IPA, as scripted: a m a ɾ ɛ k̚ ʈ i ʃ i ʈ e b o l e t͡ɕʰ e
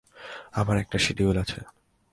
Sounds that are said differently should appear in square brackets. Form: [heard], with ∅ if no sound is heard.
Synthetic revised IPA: a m a ɾ ɛ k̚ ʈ [a] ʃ i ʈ [i] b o l [a] t͡ɕʰ e